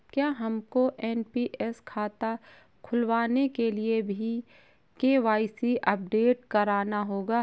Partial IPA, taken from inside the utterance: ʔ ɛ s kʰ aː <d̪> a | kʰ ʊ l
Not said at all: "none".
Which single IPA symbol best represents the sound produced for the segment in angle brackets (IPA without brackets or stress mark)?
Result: t̪